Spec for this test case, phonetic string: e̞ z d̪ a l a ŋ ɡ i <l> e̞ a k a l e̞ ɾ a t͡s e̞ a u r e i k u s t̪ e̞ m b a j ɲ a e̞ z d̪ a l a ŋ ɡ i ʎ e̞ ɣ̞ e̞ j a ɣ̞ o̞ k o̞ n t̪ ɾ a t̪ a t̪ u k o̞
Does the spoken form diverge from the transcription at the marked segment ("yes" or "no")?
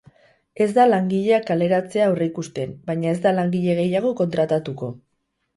yes